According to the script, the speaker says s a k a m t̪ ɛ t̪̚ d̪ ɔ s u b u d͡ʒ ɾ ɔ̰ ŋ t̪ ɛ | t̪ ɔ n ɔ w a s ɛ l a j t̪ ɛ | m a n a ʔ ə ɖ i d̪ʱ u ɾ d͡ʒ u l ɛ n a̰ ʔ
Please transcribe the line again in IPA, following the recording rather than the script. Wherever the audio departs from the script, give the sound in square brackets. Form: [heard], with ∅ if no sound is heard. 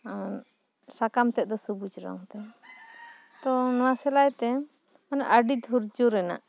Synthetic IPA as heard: s a k a m t̪ ɛ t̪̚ d̪ ɔ s u b u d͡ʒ ɾ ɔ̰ ŋ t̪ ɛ | t̪ ɔ n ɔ w a s ɛ l a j t̪ ɛ | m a n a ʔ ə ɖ i d̪ʱ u ɾ d͡ʒ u [ɾ] ɛ n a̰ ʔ